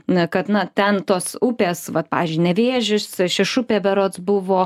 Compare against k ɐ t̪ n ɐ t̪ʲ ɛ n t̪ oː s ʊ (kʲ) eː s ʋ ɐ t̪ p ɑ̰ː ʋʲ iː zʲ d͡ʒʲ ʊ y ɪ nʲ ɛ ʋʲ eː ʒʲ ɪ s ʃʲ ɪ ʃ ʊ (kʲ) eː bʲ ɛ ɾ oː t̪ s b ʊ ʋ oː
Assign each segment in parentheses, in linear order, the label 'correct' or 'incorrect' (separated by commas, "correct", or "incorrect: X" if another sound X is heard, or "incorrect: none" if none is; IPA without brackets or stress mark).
incorrect: pʲ, incorrect: pʲ